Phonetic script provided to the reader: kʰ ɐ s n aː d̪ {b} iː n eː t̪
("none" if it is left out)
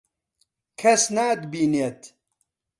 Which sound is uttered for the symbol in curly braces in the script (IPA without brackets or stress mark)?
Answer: b